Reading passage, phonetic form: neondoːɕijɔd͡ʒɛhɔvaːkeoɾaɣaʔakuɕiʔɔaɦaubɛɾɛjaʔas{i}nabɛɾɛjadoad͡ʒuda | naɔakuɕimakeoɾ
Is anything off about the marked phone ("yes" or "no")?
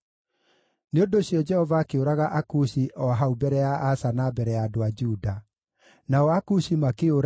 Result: yes